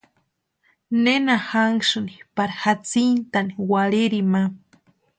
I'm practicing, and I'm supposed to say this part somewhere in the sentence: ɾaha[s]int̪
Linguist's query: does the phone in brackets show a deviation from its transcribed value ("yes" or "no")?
yes